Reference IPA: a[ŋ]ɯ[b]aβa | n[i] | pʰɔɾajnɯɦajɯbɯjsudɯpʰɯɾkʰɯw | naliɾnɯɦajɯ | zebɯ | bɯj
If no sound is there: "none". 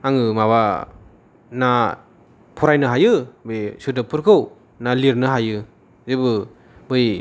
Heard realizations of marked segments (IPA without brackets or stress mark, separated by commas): ŋ, m, a